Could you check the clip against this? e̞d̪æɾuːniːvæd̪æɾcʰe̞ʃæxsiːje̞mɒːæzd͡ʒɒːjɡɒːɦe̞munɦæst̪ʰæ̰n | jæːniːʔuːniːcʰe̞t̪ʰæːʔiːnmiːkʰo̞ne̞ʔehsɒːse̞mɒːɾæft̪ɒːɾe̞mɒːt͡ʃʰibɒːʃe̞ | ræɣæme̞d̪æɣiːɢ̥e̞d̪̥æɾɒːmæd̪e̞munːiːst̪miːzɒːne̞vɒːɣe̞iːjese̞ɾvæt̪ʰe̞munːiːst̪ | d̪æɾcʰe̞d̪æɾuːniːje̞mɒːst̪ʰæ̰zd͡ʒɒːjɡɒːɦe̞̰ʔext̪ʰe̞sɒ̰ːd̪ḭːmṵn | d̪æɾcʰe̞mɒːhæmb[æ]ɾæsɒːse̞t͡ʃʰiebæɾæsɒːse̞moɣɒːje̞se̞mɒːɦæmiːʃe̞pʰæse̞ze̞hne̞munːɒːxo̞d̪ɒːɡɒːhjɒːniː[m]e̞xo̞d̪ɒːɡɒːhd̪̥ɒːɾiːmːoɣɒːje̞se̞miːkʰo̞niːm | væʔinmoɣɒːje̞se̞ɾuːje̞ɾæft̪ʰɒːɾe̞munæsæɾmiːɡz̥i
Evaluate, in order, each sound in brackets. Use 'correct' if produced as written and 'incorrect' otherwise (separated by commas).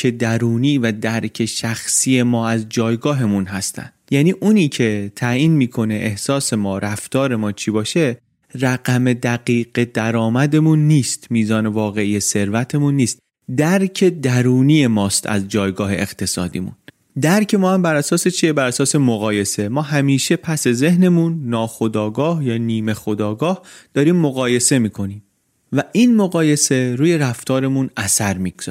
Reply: correct, correct